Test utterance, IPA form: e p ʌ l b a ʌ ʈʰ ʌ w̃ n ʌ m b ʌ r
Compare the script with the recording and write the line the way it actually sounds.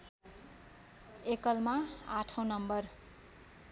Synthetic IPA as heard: e k ʌ l m a a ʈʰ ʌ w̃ n ʌ m b ʌ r